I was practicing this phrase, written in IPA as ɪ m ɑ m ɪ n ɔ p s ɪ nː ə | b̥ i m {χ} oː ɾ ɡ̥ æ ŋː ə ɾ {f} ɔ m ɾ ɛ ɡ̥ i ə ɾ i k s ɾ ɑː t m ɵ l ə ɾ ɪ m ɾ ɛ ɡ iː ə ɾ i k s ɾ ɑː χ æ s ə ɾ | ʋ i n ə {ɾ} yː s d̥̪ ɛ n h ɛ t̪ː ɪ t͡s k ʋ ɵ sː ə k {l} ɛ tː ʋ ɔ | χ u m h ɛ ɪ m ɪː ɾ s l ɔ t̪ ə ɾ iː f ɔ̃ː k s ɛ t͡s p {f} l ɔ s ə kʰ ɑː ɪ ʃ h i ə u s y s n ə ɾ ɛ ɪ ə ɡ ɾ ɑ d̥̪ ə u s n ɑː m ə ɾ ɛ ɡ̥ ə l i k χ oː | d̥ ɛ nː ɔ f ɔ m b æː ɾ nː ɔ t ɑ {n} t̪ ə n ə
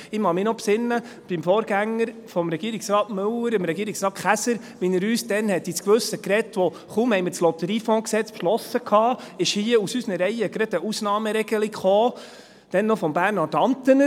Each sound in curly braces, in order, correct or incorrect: incorrect: f, correct, correct, incorrect: ɾ, incorrect: ʃ, correct

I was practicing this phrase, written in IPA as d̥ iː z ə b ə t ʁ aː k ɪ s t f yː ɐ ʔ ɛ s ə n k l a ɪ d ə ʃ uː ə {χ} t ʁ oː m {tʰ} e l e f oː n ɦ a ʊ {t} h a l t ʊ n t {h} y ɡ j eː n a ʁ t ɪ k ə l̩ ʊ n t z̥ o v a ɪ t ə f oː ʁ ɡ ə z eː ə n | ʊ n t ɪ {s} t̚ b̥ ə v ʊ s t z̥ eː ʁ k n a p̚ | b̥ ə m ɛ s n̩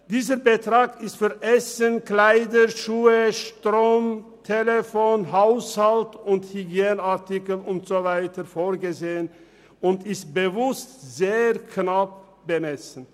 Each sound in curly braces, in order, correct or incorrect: incorrect: ʃ, correct, incorrect: s, correct, correct

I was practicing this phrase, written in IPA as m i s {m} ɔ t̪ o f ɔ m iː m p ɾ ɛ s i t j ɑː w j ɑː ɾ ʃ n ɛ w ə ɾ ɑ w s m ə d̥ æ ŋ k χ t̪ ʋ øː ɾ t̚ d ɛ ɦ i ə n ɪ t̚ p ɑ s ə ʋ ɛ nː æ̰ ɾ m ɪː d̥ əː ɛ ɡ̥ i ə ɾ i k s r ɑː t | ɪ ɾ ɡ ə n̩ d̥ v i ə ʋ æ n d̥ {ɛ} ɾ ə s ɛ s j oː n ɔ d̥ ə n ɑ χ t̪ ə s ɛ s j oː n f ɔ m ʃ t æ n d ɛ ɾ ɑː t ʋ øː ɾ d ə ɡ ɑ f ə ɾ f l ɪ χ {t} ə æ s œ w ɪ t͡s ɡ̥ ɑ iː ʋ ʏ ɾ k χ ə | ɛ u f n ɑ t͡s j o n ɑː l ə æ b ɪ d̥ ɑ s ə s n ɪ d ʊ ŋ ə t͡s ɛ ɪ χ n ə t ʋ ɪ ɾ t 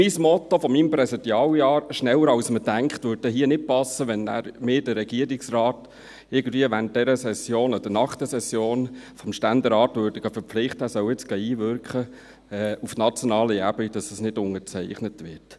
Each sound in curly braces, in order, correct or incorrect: correct, correct, correct

